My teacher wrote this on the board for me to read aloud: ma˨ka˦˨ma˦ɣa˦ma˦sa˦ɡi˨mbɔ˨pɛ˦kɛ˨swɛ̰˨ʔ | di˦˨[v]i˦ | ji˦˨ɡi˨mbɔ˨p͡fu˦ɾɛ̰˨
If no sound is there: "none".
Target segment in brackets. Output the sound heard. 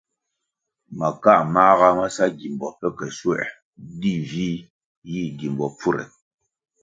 v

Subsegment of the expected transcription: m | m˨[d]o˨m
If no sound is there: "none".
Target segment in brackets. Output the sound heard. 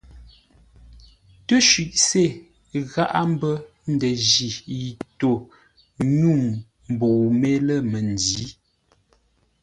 b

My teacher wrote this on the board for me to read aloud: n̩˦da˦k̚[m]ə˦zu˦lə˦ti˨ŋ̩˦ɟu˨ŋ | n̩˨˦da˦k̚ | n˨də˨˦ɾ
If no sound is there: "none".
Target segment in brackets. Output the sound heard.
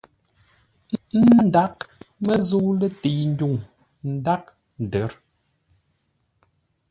m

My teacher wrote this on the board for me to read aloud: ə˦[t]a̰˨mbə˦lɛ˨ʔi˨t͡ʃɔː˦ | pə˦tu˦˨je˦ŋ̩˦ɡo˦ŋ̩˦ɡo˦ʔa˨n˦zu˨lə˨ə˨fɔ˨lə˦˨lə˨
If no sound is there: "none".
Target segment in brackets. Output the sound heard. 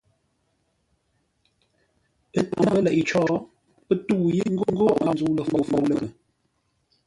t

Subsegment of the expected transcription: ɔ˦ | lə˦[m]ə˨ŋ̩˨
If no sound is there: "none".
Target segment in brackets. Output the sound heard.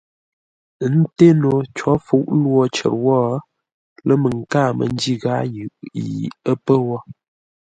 m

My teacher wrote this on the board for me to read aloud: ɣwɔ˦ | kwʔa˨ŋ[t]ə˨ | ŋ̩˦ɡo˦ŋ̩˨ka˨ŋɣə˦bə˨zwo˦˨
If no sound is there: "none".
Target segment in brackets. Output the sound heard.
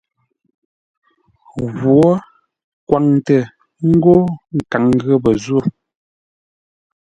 t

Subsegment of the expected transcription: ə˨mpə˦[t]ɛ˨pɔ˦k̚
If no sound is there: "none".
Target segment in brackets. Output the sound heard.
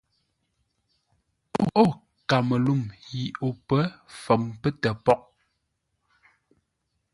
t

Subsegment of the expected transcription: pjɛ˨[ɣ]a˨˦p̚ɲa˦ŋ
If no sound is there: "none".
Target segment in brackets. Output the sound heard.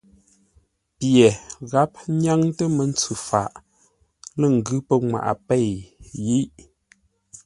ɣ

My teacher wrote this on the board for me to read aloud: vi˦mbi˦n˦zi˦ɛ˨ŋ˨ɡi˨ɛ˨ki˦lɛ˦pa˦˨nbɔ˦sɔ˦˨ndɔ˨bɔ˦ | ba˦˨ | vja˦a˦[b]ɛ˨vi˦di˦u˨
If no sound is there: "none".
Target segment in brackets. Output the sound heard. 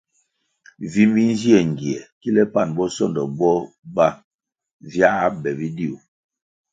b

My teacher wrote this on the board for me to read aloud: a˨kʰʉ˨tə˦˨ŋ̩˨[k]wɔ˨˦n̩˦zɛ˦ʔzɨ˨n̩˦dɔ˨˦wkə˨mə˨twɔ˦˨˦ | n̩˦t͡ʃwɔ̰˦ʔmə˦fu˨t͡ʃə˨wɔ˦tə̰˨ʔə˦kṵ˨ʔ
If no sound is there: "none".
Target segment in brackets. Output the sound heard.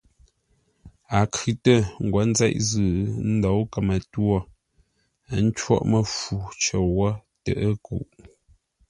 ɡ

